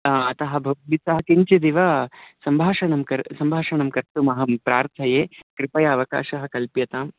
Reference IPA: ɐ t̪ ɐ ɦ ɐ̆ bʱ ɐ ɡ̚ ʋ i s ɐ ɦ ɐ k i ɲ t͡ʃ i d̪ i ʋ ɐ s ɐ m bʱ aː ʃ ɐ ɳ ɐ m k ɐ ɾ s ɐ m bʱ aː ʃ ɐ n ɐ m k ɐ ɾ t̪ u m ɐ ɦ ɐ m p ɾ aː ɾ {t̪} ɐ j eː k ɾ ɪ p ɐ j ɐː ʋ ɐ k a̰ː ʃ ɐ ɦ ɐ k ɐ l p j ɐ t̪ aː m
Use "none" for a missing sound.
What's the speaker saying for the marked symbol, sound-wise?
t̪ʰ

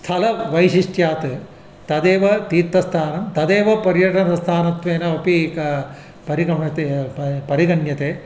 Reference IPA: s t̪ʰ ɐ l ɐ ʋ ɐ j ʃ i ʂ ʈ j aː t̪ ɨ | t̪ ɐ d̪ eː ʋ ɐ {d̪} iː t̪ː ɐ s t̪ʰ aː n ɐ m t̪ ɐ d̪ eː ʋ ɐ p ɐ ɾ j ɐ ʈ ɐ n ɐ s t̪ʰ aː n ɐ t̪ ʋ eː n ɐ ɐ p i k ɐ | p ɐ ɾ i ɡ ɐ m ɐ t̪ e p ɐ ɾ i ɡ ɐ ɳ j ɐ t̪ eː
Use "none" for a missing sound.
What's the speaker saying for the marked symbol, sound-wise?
t̪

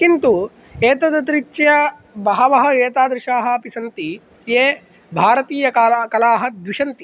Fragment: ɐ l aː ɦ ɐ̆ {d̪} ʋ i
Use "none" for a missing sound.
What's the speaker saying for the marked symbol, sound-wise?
d̪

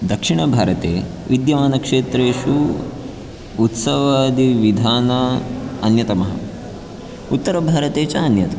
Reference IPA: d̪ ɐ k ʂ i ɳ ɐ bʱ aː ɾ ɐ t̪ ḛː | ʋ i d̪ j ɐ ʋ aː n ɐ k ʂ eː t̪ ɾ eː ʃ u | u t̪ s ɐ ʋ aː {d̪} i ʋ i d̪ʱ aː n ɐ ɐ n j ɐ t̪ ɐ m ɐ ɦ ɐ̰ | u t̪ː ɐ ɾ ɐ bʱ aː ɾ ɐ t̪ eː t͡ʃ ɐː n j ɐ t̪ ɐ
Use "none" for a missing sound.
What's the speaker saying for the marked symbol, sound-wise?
d̪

